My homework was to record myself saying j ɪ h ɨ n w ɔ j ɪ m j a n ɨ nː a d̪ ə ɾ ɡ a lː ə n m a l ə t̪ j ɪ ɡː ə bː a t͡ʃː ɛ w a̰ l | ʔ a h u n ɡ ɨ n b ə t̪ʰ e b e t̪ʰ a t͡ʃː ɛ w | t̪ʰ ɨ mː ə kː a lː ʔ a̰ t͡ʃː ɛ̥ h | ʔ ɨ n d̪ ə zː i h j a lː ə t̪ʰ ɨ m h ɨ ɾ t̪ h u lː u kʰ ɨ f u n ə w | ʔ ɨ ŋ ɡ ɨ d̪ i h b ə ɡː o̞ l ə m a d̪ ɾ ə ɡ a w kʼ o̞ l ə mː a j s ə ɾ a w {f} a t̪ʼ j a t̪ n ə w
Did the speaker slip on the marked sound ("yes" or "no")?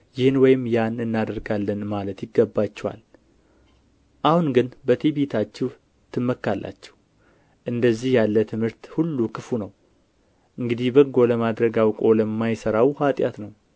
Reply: yes